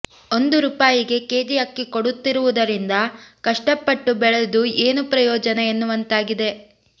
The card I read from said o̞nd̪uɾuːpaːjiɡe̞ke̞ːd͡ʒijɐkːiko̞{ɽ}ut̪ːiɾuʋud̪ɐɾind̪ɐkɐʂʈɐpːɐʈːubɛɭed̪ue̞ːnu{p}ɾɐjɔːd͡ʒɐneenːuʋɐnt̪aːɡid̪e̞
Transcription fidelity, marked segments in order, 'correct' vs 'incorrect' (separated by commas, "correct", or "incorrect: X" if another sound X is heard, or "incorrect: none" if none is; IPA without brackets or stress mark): correct, correct